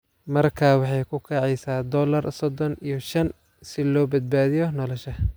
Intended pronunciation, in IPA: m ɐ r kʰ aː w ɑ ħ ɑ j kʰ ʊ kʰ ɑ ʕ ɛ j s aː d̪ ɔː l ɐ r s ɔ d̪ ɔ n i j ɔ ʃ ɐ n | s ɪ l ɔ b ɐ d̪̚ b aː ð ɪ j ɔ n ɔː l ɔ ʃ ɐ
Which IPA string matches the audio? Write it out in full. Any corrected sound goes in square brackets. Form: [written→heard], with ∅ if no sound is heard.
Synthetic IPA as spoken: m ɐ r kʰ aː w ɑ ħ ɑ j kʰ ʊ kʰ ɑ ʕ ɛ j s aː d̪ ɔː l ɐ r s ɔ d̪ ɔ n i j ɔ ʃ ɐ n | s ɪ l [ɔ→ɔː] b ɐ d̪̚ b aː ð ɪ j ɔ n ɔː l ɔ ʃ ɐ